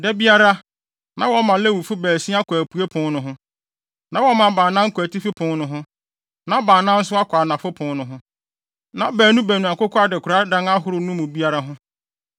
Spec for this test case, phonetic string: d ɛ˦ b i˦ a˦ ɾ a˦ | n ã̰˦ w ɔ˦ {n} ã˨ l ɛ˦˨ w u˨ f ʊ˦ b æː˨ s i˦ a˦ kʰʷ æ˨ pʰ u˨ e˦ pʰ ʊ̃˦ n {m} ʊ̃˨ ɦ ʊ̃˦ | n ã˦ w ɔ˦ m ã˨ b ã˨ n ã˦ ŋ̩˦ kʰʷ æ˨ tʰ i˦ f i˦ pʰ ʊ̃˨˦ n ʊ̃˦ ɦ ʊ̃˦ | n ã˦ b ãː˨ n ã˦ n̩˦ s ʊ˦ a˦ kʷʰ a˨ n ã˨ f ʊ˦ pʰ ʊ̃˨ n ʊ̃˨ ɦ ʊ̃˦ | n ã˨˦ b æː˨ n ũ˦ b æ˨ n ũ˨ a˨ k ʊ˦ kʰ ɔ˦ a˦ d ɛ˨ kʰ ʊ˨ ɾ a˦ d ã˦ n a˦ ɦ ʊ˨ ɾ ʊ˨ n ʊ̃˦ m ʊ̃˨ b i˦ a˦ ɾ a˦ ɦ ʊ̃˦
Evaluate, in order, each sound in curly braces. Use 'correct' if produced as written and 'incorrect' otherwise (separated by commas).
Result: incorrect, incorrect